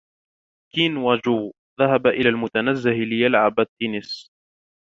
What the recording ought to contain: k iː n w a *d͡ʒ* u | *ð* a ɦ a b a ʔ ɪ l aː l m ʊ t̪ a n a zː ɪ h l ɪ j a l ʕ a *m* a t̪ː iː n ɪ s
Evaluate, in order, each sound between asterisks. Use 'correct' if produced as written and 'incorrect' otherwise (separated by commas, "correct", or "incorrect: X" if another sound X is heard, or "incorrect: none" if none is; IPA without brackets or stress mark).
correct, correct, incorrect: b